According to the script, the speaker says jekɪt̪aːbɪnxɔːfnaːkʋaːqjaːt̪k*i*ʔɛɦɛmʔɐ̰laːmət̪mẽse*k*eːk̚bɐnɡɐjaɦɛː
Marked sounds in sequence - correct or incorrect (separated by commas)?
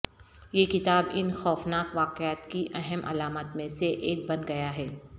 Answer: correct, incorrect